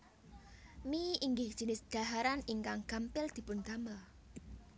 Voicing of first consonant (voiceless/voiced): voiced